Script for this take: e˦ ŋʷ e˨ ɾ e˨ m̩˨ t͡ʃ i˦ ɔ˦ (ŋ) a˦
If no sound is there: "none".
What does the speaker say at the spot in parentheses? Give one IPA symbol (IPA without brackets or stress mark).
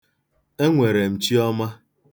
m